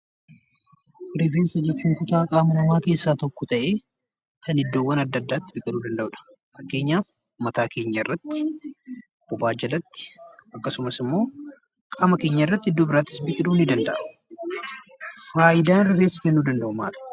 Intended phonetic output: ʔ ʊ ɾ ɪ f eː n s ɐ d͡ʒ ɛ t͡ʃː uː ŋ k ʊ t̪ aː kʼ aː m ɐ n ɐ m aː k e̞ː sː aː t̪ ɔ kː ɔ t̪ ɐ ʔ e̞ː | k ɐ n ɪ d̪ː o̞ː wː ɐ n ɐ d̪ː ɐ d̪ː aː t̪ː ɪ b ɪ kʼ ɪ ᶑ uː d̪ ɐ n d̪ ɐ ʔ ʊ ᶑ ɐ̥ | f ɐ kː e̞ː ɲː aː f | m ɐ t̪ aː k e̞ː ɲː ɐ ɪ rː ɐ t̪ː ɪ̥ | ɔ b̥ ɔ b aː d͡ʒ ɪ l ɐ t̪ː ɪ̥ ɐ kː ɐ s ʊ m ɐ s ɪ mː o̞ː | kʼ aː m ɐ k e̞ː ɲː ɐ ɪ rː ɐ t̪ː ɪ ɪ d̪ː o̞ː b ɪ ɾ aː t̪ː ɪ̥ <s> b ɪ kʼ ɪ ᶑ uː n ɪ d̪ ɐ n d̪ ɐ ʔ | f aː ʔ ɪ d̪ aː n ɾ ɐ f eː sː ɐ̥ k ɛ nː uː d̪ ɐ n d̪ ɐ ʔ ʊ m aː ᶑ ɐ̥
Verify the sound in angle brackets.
correct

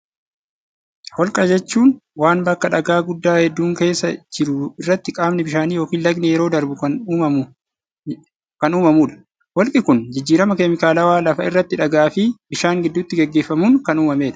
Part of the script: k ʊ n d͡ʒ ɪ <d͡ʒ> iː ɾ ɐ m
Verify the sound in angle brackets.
incorrect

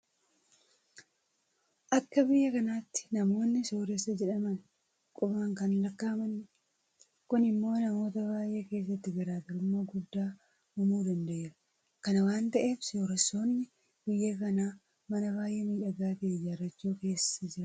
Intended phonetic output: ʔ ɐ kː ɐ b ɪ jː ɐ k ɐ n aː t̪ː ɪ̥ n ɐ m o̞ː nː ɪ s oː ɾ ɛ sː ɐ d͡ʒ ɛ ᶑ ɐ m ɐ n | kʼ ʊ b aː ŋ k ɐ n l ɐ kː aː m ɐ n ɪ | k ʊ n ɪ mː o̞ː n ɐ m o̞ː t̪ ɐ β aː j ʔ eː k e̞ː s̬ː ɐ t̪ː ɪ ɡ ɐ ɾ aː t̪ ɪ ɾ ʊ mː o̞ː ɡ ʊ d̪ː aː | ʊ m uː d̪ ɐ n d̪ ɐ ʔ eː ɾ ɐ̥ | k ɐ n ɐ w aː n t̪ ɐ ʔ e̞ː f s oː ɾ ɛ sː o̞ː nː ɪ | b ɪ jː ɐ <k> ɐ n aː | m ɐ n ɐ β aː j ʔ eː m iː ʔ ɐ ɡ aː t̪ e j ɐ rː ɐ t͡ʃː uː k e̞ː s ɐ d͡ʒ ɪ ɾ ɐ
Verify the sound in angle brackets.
correct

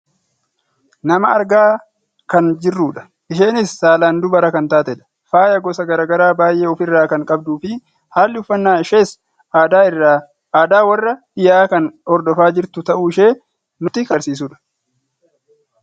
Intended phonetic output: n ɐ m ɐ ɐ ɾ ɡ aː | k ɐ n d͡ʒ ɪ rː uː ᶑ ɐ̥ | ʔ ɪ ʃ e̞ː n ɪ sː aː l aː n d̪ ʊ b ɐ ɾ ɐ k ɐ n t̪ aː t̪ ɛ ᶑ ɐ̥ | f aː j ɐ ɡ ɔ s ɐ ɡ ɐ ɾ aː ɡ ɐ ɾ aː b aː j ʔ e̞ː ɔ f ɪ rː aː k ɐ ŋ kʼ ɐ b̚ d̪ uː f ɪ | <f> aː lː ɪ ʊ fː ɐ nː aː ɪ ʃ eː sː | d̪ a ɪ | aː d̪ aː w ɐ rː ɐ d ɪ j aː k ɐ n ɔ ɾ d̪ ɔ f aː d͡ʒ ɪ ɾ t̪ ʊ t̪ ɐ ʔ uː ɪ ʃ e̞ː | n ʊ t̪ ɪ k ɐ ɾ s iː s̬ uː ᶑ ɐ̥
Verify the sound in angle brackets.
incorrect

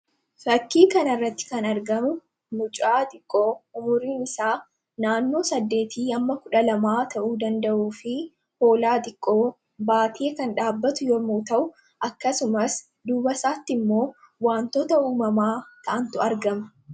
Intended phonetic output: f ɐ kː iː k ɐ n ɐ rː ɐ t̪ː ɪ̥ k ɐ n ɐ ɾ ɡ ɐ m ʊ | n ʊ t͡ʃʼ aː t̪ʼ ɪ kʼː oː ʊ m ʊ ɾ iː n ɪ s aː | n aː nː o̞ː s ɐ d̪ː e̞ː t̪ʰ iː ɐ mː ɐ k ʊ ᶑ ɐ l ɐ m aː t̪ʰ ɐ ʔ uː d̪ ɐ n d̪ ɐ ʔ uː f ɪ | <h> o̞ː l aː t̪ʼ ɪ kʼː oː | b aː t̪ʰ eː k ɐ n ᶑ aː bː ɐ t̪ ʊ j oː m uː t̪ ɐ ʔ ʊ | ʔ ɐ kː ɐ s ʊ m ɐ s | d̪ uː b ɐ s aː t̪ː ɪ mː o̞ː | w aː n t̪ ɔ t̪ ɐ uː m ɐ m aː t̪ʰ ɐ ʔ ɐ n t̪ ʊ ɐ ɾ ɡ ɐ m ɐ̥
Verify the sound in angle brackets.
correct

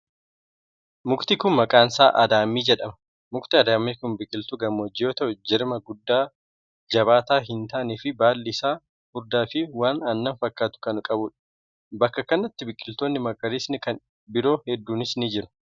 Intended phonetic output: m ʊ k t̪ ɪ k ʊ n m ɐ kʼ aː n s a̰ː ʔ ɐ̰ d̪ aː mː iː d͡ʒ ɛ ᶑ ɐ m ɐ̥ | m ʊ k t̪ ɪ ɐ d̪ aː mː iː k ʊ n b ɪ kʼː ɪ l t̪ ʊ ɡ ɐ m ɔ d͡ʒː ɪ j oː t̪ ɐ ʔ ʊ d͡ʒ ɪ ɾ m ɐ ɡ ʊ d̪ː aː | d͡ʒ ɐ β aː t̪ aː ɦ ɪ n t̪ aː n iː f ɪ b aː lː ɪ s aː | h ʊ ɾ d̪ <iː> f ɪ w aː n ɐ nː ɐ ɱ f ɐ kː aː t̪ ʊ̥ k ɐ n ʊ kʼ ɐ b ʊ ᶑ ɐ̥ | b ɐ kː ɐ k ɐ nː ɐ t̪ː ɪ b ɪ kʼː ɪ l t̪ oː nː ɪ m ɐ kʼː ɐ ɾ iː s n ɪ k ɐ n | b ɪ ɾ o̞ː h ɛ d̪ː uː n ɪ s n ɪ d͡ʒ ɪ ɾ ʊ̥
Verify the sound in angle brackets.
incorrect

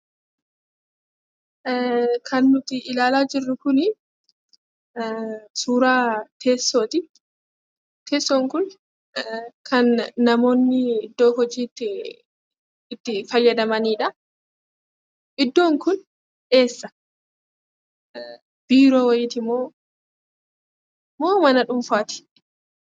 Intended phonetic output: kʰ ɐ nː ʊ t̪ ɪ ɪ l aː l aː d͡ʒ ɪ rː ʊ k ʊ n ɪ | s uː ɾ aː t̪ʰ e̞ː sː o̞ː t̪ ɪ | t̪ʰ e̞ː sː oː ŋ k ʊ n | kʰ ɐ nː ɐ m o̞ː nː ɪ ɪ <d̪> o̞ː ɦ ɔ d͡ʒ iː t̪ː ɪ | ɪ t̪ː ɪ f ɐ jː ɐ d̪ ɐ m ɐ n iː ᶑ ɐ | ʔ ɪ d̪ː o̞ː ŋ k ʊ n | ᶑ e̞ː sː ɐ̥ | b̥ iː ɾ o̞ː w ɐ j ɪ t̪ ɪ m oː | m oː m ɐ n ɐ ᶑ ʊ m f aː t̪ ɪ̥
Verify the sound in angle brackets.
incorrect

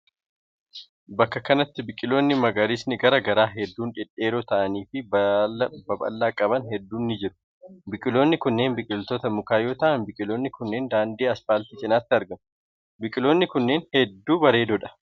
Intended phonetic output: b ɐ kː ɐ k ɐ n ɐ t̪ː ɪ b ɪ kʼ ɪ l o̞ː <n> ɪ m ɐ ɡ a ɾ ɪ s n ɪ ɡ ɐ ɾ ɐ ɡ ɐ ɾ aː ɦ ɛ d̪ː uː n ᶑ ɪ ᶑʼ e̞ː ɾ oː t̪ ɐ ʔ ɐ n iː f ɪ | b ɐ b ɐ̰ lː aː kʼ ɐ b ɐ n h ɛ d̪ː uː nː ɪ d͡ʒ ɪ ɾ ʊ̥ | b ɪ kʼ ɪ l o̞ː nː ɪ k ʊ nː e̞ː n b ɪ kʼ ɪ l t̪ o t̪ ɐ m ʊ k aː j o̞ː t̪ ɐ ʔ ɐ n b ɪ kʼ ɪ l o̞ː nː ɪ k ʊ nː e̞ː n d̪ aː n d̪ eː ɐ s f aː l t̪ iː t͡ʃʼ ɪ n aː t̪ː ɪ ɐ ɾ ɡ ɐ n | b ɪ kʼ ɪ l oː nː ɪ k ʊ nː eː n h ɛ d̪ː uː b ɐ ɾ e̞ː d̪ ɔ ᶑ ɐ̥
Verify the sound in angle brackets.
incorrect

